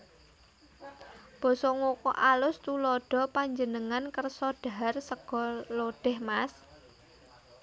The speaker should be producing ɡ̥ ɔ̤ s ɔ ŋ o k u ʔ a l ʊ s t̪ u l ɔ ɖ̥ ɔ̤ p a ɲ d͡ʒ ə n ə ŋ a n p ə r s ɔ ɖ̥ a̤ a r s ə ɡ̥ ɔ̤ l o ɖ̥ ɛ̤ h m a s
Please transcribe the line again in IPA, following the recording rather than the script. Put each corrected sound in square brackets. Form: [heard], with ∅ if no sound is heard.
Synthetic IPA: [b̥] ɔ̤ s ɔ ŋ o k [ɔ] ʔ a l ʊ s t̪ u l ɔ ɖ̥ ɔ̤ p a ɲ d͡ʒ ə n ə ŋ a n [k] ə r s ɔ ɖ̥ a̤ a r s ə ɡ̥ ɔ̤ l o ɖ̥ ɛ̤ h m a s

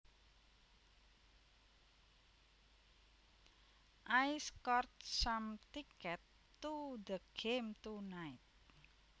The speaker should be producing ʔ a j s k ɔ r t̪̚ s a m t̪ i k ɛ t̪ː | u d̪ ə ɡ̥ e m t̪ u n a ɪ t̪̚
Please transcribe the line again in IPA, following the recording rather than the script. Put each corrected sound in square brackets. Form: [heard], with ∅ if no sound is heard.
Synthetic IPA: ʔ a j s k ɔ r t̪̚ s a m t̪ i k ɛ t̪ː | u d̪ ə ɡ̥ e m t̪ u n a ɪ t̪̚

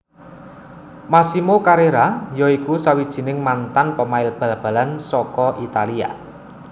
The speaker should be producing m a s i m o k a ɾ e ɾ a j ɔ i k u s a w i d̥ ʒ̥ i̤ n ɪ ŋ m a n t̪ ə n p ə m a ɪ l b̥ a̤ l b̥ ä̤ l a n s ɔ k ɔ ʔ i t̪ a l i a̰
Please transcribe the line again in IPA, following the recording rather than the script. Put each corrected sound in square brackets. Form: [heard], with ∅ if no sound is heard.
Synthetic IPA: m a s i m o k a ɾ e ɾ a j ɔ i k u s a w i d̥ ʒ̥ i̤ n ɪ ŋ m a n t̪ [a] n p ə m a ɪ l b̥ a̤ l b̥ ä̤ l a n s ɔ k ɔ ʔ i t̪ a l i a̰

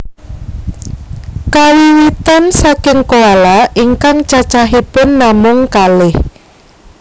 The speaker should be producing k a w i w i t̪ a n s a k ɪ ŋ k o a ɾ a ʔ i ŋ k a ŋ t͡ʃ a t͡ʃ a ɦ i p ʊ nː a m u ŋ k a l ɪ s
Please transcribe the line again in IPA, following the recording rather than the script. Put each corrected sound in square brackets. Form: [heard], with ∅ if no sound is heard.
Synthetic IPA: k a w i w i t̪ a n s a k ɪ ŋ k o a [l] a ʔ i ŋ k a ŋ t͡ʃ a t͡ʃ a ɦ i p ʊ nː a m [ʊ] ŋ k a l ɪ [h]

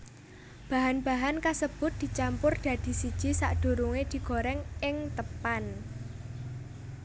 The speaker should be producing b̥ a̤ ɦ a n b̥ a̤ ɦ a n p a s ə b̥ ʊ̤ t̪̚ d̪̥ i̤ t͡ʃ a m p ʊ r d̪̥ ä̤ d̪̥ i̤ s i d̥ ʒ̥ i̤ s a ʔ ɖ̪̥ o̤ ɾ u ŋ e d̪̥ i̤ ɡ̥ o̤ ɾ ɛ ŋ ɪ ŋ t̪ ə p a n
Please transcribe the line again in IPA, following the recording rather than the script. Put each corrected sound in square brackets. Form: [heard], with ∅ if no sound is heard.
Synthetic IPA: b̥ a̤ ɦ a n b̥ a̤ ɦ a n [k] a s ə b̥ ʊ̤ t̪̚ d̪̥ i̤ t͡ʃ a m p ʊ r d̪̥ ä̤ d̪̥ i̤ s i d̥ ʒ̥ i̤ s a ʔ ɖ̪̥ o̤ ɾ u ŋ e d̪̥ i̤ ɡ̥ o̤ ɾ ɛ ŋ ɪ ŋ t̪ ə p a n

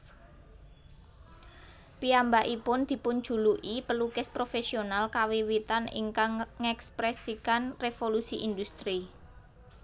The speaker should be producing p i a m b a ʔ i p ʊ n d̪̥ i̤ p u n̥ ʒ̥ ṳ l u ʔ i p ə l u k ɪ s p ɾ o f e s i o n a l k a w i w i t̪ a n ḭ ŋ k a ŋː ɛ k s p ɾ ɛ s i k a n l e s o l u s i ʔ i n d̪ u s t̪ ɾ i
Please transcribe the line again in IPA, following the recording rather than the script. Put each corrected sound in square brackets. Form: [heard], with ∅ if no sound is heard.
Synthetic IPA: p i a m b a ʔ i p ʊ n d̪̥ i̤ p [ʊ] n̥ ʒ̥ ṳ l u ʔ i p ə l u k ɪ s p ɾ o f e s i o n a l k a w i w i t̪ a n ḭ ŋ k a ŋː ɛ k s p ɾ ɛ s i k a n [r] e [f] o l u s i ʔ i n d̪ u s t̪ ɾ i

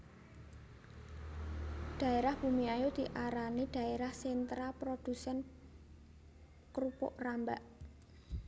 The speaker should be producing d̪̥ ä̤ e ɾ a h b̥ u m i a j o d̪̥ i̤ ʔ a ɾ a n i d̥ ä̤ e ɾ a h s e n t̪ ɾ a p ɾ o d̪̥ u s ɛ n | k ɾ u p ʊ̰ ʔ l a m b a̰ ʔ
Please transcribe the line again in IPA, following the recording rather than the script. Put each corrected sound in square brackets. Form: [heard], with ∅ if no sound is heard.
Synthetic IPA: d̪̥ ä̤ e ɾ a h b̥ u m i a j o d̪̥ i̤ ʔ a ɾ a n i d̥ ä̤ e ɾ a h s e n t̪ ɾ a p ɾ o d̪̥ u s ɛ n | k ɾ u p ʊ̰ ʔ [r] a m b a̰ ʔ

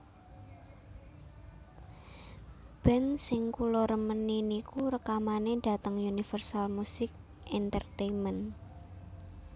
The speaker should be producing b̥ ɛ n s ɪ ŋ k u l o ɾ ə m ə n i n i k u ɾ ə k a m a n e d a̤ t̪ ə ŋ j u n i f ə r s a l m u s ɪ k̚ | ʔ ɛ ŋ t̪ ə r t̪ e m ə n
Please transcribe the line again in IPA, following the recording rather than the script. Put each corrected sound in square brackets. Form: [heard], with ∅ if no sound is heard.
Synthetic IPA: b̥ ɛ n s ɪ ŋ k u l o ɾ ə m ə n i n i k u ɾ ə k a m a n e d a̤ t̪ ə ŋ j u n i f ə r s a l m u s ɪ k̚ | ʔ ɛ [n] t̪ ə r t̪ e m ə n

